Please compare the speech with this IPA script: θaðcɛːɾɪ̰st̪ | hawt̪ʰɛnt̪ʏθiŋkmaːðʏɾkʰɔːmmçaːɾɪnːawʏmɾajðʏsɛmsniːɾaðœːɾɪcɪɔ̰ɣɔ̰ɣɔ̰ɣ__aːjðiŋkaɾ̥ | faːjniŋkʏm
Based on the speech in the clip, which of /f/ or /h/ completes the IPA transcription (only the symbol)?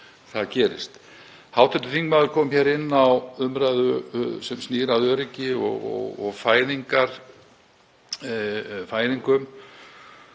f